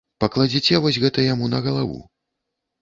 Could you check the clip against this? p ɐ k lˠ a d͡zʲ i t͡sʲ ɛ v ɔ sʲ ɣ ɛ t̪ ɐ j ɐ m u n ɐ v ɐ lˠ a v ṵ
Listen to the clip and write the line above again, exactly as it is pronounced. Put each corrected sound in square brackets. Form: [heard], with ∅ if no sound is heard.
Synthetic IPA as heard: p ɐ k lˠ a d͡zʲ i t͡sʲ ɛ v ɔ sʲ ɣ ɛ t̪ ɐ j [a] m u n ɐ [ɣ] ɐ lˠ a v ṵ

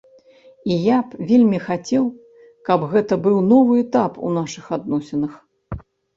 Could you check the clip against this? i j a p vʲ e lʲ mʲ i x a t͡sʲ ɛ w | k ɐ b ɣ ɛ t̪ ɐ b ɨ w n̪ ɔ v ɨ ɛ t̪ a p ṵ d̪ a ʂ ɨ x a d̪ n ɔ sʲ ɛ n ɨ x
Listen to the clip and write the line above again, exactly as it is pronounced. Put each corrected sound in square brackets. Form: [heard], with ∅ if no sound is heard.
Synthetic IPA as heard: i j a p vʲ e lʲ mʲ i x a t͡sʲ ɛ w | k ɐ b ɣ ɛ t̪ ɐ b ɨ w n̪ ɔ v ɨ ɛ t̪ a p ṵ [n̪] a ʂ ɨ x a d̪ n ɔ sʲ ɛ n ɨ x

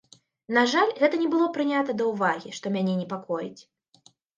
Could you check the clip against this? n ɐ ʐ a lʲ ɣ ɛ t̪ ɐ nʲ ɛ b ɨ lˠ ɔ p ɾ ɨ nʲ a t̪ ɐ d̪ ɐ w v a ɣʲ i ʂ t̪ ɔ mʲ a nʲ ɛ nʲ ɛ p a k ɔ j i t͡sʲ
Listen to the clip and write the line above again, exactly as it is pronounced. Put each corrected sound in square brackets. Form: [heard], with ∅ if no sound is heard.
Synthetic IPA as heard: n [a] ʐ a lʲ ɣ ɛ t̪ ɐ nʲ ɛ b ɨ lˠ ɔ p ɾ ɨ nʲ a t̪ ɐ d̪ ɐ w v a ɣʲ i ʂ t̪ ɔ mʲ a nʲ ɛ nʲ ɛ p a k ɔ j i t͡sʲ

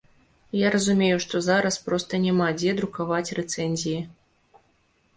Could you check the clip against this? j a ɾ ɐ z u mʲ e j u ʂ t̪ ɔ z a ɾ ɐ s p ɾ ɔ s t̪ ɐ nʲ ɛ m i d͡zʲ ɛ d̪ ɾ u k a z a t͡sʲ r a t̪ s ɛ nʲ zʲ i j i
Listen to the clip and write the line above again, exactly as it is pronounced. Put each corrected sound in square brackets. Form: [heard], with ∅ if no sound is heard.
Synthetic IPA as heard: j a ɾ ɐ z u mʲ e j u ʂ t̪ ɔ z a ɾ ɐ s p ɾ ɔ s t̪ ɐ nʲ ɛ m [a] d͡zʲ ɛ d̪ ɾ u k a [v] a t͡sʲ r [ɛ] t̪ s ɛ nʲ zʲ i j i

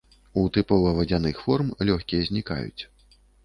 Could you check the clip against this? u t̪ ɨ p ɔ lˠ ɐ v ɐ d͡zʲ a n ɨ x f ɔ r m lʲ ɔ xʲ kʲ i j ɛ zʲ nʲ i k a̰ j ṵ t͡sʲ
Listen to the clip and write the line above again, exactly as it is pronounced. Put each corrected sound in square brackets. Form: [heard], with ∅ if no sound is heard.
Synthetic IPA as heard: u t̪ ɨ p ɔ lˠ ɐ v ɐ d͡zʲ a n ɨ x f ɔ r m lʲ ɔ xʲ kʲ i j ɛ zʲ nʲ i k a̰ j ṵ t͡sʲ

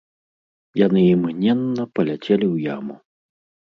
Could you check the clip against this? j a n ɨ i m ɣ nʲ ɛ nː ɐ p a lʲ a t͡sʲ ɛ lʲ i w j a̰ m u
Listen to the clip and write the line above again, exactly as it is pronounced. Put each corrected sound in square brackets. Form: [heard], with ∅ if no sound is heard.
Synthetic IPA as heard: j a n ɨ i m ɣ nʲ ɛ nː ɐ p [ɐ] lʲ a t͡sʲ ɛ lʲ i w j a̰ m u

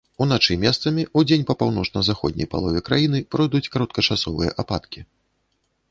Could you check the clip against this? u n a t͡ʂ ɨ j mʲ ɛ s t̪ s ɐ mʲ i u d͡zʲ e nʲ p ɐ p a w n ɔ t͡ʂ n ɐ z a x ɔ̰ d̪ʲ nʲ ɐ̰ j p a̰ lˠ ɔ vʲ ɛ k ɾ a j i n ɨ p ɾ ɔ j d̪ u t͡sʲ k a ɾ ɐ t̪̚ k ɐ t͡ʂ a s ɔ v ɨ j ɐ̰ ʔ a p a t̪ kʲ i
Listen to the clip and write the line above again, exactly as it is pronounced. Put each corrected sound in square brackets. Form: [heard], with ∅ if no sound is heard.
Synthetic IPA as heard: u n a t͡ʂ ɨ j mʲ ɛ s t̪ s ɐ mʲ i u d͡zʲ e nʲ p ɐ p a w n ɔ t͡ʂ n ɐ z a x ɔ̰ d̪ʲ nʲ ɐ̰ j p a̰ lˠ ɔ vʲ ɛ k ɾ a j i n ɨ p ɾ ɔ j d̪ u t͡sʲ k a ɾ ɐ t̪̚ k ɐ t͡ʂ a s ɔ v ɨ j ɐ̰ ʔ a p a t̪ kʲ i

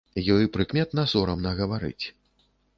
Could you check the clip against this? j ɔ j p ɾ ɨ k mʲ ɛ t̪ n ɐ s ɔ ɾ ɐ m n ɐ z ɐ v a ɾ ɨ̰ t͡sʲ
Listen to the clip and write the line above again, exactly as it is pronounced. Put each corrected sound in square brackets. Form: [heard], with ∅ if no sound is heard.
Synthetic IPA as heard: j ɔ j p ɾ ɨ k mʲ ɛ t̪ n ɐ s ɔ ɾ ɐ m n ɐ [ɣ] ɐ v a ɾ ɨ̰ t͡sʲ

